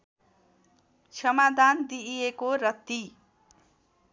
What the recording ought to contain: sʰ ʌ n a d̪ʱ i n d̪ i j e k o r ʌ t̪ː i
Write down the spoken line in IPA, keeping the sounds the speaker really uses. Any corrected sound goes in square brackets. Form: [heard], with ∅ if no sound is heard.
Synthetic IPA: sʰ ʌ [m] a d̪ʱ [a] n d̪ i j e k o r ʌ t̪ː i